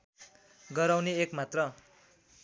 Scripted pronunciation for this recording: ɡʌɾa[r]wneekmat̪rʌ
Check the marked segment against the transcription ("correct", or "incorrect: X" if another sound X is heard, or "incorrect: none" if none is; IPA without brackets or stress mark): incorrect: none